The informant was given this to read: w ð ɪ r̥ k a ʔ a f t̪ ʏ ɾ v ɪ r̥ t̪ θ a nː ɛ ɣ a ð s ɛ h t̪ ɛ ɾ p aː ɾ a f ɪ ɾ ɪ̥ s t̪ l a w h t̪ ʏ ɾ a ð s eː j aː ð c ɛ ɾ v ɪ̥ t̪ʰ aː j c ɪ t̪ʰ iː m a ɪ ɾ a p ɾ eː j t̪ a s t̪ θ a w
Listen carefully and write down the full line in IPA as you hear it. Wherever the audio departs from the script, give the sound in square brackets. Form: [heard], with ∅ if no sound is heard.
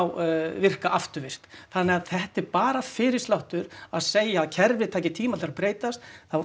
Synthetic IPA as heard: w [v] ɪ r̥ k a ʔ a f t̪ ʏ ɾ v ɪ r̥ t̪ θ a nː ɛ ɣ a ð [θ] ɛ h t̪ ɛ ɾ p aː ɾ a f ɪ ɾ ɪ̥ s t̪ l a w h t̪ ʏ ɾ a ð s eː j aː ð [cʰ] ɛ ɾ v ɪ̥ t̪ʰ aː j c ɪ t̪ʰ iː m a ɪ ɾ a p ɾ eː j t̪ a s t̪ θ a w